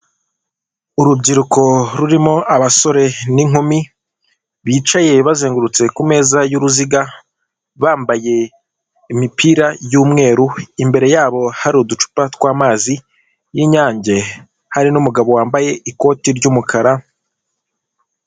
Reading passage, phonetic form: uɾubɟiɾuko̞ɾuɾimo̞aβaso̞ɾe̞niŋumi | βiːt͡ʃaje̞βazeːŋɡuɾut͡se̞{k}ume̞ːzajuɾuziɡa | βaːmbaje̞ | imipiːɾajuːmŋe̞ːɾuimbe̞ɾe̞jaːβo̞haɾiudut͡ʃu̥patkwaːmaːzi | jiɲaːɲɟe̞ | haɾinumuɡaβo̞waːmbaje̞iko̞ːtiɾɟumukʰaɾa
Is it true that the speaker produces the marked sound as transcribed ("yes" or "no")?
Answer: yes